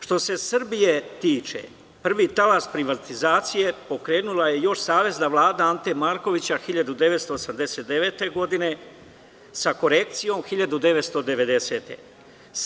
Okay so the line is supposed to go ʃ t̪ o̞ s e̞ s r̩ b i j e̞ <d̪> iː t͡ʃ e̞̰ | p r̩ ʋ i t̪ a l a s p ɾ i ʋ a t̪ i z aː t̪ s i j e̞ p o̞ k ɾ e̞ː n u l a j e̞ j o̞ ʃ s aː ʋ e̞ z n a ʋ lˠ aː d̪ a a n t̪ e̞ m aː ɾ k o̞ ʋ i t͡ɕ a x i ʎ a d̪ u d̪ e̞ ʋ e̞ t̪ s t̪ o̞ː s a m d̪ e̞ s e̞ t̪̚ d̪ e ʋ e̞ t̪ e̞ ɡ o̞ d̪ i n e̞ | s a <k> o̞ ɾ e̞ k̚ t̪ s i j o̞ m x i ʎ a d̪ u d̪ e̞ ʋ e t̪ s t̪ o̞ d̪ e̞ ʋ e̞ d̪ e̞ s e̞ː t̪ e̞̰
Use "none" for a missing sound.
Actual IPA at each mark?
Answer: t̪, k

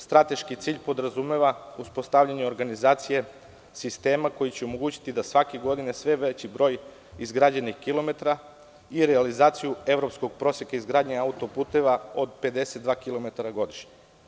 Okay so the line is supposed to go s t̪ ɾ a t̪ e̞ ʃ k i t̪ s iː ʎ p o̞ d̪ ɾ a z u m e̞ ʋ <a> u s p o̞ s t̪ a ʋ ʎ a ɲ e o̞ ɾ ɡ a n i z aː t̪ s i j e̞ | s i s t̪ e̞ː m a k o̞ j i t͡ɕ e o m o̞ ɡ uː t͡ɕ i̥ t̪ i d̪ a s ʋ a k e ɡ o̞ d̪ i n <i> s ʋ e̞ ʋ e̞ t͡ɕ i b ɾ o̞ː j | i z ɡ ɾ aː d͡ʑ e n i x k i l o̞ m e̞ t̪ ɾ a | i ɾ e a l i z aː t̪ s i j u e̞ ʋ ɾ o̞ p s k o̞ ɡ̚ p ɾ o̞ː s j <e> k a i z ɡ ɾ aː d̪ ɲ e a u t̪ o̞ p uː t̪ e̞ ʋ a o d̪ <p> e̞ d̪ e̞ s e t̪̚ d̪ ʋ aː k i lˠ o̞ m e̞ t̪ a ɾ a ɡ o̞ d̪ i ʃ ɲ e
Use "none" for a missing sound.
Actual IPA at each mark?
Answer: a, e, e, p

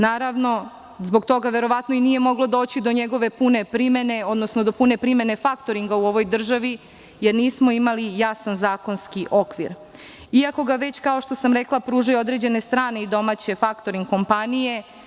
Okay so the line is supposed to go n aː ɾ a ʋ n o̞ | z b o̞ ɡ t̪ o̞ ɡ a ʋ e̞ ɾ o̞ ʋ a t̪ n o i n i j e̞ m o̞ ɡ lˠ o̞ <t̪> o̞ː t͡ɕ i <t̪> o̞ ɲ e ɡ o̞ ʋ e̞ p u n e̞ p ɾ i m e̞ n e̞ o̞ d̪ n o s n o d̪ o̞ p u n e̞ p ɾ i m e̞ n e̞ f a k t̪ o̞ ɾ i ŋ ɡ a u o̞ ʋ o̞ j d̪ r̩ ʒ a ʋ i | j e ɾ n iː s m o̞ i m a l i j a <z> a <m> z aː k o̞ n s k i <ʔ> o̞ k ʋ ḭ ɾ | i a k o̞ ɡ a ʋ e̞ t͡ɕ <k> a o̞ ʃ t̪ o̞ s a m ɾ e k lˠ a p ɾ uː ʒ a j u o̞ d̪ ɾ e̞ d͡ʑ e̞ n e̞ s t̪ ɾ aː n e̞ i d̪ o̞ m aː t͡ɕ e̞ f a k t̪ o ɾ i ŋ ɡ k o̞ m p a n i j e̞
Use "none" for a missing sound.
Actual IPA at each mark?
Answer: d̪, d̪, s, n, ʔ, k

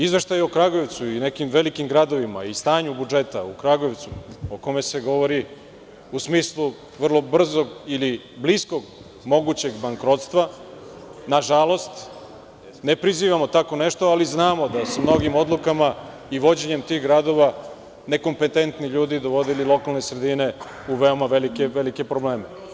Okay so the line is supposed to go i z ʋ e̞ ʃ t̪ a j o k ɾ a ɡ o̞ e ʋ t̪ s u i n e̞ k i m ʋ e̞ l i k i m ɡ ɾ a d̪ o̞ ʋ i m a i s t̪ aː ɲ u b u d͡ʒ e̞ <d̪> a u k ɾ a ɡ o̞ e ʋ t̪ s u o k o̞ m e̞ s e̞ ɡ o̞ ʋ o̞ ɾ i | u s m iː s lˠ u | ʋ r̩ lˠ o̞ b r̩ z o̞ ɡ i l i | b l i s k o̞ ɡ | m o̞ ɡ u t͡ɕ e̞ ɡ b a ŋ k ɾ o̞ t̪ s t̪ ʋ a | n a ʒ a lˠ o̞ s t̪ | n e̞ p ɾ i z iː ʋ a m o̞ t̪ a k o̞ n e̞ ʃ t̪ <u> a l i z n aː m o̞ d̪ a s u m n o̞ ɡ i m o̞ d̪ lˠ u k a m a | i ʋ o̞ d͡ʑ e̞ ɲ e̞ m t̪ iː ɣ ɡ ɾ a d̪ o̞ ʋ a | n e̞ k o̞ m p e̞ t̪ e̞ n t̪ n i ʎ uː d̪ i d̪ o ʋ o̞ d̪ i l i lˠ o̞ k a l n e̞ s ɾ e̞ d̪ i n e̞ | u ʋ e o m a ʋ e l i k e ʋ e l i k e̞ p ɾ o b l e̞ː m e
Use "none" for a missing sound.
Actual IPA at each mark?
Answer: t̪, o

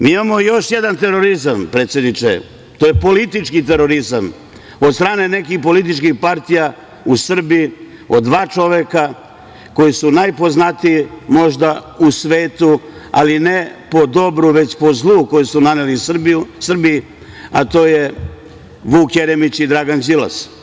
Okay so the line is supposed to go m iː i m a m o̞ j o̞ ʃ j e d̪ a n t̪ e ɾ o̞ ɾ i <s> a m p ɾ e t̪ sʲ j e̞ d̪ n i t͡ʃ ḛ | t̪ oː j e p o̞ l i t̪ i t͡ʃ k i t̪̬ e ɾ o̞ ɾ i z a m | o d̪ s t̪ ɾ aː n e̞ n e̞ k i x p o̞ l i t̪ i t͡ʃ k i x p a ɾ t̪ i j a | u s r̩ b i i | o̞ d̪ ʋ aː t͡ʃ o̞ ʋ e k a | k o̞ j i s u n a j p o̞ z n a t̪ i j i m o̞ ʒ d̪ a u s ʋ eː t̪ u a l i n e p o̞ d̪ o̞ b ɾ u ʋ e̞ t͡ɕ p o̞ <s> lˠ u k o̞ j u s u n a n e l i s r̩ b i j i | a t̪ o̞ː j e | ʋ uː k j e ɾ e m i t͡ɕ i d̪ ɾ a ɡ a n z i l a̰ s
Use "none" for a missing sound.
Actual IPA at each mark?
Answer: z, z

